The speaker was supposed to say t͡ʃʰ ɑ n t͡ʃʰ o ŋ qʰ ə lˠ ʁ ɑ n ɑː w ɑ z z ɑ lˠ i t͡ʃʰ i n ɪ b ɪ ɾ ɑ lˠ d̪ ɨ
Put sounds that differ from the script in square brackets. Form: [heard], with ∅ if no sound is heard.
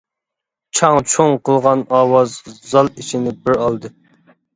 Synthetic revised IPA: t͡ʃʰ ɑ [ŋ] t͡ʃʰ o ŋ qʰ ə lˠ ʁ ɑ n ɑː w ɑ z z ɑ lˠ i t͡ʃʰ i n ɪ b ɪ ɾ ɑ lˠ d̪ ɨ